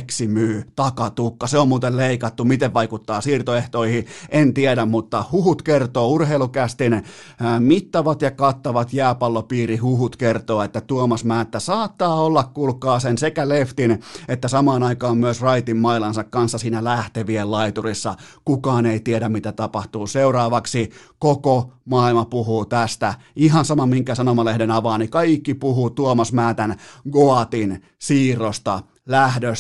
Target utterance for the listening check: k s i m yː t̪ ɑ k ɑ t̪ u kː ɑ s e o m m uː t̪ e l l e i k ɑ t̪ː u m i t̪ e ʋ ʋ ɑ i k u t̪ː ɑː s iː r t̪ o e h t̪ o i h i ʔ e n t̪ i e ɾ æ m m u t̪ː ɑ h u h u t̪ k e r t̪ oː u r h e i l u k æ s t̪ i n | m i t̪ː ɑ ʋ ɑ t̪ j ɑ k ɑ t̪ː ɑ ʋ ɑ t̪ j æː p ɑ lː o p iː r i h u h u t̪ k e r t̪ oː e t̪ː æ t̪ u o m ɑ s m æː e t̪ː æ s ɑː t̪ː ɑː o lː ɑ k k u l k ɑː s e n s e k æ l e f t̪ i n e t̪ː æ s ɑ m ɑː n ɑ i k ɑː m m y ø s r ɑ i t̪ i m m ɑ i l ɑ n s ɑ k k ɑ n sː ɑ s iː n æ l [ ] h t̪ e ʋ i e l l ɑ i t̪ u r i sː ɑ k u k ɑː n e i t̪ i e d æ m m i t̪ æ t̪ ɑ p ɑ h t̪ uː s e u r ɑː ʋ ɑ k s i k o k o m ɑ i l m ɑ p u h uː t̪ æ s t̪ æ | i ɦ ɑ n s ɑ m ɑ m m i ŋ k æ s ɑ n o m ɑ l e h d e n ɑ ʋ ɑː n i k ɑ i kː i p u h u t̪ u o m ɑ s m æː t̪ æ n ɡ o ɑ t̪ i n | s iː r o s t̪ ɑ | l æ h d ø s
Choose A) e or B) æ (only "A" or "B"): B